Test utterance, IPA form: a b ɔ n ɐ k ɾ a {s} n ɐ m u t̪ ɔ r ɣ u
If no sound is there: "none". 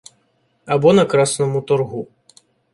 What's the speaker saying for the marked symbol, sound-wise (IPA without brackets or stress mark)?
s